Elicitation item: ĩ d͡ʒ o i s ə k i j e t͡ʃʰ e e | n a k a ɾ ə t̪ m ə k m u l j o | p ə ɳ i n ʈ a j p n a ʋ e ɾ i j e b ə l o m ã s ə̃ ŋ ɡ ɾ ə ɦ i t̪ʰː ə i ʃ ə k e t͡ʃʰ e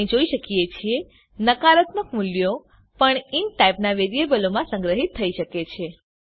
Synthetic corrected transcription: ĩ d͡ʒ o i ʃ ə k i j e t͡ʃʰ i e | n ə k a ɾ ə t̪ m ə k m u l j o | p ə ɳ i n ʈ a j p n a ʋ e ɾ i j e b ə l o m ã s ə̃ ŋ ɡ ɾ ə ɦ i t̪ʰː ə i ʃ ə k e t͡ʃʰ e